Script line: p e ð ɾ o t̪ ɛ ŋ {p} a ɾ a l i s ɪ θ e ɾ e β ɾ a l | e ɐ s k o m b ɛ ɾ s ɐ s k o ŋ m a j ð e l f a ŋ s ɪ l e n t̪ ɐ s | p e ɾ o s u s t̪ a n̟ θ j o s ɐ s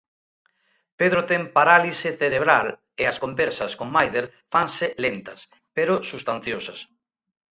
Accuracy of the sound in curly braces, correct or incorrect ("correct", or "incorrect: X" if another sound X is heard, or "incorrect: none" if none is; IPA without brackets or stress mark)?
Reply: correct